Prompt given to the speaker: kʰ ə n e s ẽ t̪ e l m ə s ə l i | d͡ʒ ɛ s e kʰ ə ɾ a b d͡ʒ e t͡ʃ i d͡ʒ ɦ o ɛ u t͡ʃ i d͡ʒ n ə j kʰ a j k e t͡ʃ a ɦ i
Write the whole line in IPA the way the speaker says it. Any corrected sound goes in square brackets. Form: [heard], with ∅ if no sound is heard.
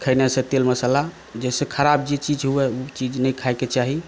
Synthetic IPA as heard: kʰ ə n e s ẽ t̪ e l m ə s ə l [a] | d͡ʒ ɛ s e kʰ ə ɾ a b d͡ʒ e t͡ʃ i d͡ʒ ɦ [u] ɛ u t͡ʃ i d͡ʒ n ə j kʰ a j k e t͡ʃ a ɦ i